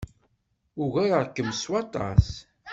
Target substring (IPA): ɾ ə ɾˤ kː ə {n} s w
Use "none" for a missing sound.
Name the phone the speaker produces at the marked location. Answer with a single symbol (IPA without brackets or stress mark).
m